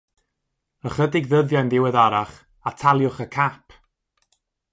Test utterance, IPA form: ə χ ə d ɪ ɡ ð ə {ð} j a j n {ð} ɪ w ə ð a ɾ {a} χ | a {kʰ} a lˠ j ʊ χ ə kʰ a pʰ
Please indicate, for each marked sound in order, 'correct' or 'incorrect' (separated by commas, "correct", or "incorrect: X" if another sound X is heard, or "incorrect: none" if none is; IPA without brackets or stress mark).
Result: correct, correct, correct, incorrect: tʰ